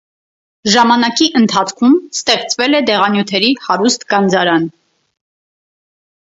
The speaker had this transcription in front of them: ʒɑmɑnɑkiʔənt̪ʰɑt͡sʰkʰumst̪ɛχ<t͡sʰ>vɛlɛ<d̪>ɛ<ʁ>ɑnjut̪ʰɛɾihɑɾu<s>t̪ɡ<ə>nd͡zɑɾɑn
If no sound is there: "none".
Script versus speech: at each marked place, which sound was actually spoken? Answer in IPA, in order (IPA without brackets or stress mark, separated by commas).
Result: t͡s, d̪, ʁ, s, ɑ